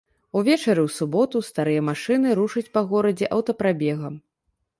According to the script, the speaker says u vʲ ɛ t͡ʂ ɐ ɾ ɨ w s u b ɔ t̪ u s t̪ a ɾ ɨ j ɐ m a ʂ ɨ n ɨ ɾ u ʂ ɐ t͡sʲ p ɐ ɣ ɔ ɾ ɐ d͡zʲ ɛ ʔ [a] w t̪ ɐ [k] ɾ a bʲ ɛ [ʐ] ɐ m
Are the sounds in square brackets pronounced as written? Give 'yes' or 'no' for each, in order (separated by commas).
no, no, no